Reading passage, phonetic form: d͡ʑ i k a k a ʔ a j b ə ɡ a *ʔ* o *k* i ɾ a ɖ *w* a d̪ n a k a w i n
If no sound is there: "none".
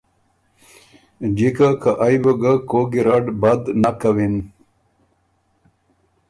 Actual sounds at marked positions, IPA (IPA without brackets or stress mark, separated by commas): k, ɡ, b